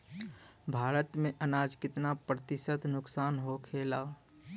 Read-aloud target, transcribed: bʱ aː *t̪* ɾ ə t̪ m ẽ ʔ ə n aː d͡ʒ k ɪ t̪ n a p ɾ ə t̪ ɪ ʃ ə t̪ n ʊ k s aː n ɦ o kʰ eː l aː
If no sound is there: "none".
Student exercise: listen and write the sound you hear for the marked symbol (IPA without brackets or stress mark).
none